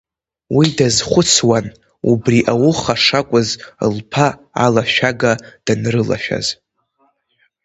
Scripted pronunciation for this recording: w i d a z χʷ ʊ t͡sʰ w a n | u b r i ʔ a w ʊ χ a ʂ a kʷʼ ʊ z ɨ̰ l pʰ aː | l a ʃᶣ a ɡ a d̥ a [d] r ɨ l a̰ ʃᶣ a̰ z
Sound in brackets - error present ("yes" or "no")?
yes